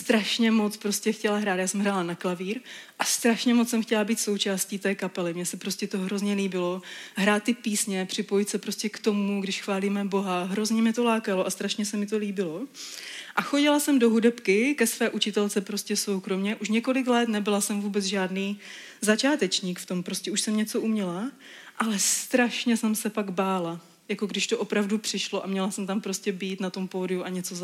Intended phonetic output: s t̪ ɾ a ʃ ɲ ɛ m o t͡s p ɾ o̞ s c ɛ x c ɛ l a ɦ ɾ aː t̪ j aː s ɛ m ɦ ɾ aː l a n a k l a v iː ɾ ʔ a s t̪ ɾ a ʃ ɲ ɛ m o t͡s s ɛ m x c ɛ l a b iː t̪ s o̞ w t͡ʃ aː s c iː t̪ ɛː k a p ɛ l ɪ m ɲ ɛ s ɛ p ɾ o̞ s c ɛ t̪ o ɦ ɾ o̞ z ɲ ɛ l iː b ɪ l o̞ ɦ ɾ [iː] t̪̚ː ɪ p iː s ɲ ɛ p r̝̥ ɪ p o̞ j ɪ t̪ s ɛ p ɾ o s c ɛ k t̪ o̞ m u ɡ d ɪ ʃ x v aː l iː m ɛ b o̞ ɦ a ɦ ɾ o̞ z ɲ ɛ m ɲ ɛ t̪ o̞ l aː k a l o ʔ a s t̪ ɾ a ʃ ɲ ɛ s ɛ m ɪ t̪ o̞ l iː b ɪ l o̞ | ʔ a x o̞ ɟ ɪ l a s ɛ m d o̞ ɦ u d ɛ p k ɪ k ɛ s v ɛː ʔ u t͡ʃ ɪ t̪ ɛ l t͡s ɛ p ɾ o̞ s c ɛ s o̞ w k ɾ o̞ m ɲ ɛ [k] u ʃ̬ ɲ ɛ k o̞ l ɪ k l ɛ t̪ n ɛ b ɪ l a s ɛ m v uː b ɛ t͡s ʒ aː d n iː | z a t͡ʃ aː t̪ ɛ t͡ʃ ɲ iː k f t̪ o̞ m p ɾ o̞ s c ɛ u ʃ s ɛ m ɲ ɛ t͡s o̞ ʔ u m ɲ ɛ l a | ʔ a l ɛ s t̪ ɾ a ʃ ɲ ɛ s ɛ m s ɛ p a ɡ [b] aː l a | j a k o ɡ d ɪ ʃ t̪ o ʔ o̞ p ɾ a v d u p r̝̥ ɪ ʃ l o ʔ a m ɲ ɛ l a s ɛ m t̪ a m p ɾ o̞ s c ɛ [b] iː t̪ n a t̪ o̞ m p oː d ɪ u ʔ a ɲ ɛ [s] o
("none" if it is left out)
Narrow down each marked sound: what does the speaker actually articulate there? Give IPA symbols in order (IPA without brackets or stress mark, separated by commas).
aː, ʔ, b, b, t͡s